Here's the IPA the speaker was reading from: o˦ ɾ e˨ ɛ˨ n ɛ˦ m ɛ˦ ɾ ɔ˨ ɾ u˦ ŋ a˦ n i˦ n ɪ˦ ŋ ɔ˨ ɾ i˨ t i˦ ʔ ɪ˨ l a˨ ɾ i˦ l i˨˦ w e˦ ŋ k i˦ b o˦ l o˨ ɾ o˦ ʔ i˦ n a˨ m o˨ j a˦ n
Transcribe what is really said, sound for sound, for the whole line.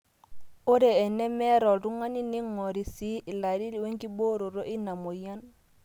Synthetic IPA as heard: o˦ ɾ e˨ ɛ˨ n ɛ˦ m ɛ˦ ɾ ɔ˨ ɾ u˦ ŋ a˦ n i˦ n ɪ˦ ŋ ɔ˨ ɾ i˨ s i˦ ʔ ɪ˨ l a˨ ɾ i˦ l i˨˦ w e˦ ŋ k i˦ b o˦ ɾ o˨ ɾ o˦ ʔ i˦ n a˨ m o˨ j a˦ n